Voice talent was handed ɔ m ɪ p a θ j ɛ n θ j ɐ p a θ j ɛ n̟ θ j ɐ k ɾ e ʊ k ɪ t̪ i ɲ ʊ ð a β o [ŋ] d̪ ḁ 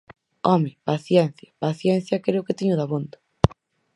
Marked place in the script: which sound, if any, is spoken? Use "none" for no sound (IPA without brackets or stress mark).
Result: n